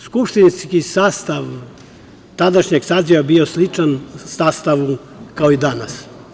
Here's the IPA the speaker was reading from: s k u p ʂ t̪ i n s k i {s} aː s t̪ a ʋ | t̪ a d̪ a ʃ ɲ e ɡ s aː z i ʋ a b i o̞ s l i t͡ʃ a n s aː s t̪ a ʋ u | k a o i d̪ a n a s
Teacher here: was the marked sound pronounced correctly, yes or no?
yes